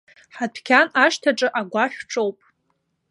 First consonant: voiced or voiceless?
voiceless